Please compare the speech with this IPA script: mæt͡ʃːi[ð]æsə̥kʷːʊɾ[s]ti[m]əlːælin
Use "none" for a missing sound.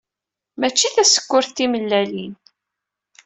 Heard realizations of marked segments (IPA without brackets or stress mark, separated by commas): θ, θ, m